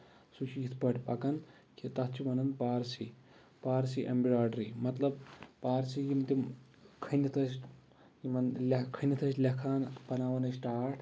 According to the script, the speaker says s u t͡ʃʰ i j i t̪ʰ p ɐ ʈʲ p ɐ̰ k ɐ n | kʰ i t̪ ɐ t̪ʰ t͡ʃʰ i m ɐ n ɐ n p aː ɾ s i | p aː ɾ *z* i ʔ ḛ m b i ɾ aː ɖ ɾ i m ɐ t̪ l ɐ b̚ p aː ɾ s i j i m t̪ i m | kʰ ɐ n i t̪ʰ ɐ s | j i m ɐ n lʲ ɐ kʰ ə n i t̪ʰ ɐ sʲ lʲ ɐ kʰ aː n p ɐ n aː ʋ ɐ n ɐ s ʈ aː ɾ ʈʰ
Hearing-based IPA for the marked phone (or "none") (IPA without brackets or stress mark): s